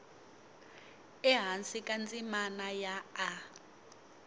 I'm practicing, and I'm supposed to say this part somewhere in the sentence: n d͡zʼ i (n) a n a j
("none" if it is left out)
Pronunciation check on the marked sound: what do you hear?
m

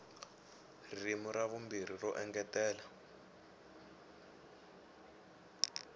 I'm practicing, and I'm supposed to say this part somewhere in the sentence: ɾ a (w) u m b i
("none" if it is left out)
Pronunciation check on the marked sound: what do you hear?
β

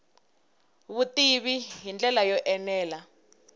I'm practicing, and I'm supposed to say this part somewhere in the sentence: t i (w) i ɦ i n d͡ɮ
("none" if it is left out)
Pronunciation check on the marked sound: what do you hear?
β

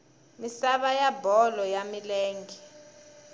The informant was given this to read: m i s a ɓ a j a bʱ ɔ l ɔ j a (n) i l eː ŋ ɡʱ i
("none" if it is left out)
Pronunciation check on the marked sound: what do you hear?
m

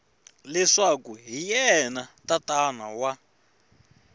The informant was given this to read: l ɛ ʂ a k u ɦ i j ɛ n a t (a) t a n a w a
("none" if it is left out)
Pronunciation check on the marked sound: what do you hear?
a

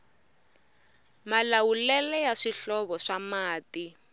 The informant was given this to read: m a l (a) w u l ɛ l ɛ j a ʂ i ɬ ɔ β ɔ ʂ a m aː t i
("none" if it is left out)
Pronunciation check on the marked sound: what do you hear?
a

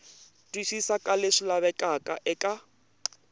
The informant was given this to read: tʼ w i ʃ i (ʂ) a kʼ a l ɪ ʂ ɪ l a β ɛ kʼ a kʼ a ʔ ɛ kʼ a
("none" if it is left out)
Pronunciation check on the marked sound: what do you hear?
s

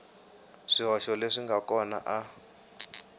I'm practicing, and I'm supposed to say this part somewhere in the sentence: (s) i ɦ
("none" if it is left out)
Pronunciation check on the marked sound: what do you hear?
ʂ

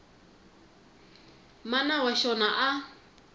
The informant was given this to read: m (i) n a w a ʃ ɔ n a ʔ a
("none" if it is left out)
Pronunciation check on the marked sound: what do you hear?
a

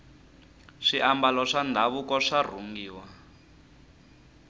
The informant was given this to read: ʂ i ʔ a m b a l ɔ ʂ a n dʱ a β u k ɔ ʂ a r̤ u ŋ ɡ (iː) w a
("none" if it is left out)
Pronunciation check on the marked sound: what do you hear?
iː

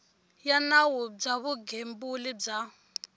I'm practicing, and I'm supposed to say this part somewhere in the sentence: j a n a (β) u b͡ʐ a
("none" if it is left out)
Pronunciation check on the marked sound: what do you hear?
w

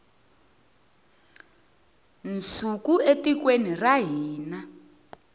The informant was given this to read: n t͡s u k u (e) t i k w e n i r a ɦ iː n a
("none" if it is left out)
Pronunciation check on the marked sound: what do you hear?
e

